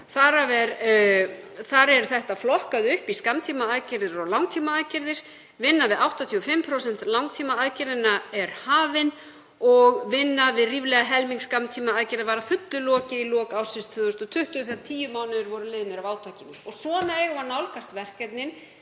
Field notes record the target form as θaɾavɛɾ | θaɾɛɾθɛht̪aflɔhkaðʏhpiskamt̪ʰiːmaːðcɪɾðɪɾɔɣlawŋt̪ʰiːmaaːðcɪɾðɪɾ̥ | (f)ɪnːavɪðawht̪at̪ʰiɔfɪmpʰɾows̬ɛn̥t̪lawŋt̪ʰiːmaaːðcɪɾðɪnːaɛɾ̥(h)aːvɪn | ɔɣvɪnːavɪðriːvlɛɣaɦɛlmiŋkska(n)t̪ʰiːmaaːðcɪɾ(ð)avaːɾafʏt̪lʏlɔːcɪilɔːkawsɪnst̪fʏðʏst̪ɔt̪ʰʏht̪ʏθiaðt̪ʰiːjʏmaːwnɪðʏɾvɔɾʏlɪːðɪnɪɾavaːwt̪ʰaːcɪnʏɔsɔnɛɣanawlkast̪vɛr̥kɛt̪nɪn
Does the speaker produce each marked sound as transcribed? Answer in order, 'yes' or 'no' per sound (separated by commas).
no, yes, no, yes